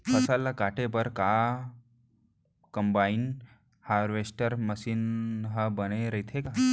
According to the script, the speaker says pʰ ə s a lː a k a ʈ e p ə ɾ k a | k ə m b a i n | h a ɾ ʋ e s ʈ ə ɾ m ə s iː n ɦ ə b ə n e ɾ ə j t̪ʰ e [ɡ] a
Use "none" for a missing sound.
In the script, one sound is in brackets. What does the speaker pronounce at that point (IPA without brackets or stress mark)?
k